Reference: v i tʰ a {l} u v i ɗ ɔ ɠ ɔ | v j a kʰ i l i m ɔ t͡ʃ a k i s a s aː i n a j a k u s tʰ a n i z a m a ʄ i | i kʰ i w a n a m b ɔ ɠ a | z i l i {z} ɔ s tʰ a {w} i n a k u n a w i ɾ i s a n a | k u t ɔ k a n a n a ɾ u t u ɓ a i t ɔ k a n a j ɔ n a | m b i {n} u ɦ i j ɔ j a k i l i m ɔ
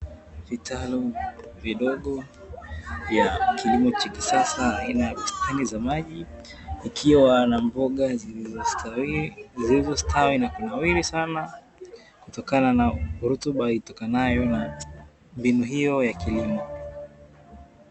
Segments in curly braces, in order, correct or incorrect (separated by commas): correct, correct, correct, correct